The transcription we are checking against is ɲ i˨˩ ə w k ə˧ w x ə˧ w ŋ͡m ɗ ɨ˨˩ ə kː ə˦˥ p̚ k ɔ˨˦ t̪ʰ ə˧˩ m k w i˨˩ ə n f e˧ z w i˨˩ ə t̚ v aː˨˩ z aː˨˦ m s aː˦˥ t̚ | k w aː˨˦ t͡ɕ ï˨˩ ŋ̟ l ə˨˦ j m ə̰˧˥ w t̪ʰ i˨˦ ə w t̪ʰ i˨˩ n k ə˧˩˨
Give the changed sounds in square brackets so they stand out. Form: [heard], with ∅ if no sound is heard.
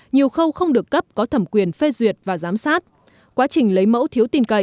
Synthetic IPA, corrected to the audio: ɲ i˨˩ ə w [x] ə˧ w x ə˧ w ŋ͡m ɗ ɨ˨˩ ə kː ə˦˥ p̚ k ɔ˨˦ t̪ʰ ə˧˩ m k w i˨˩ ə n f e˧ z w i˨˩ ə t̚ v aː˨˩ z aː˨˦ m s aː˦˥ t̚ | k w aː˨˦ t͡ɕ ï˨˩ ŋ̟ l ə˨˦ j m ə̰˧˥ w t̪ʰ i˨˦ ə w [t̪] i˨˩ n k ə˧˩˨